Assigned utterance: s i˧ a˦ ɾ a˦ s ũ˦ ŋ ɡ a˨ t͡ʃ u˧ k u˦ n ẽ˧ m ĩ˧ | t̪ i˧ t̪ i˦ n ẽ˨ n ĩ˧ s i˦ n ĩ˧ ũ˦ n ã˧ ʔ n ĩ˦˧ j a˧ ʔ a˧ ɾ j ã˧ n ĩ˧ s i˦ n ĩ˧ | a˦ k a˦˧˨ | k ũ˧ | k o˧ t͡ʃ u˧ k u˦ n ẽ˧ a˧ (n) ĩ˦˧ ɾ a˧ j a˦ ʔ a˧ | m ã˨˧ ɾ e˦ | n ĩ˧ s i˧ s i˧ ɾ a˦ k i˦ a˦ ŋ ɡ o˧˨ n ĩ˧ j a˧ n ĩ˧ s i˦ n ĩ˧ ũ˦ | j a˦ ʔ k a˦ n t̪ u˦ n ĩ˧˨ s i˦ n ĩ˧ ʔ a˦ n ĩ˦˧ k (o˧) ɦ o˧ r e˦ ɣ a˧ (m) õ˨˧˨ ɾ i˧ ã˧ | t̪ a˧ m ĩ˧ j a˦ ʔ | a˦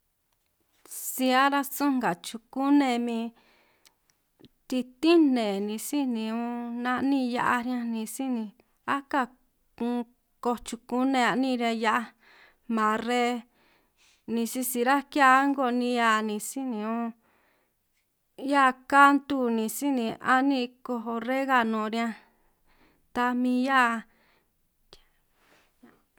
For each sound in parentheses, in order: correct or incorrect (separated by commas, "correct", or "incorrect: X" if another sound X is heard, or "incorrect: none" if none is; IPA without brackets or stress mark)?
correct, correct, incorrect: n